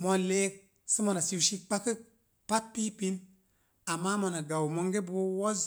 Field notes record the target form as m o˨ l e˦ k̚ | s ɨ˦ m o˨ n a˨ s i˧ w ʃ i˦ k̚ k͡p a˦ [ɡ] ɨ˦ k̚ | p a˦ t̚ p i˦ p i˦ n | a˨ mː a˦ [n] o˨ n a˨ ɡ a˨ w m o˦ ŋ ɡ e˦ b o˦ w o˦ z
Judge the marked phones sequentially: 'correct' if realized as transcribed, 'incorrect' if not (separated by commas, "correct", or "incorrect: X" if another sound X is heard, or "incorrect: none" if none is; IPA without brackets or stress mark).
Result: incorrect: k, incorrect: m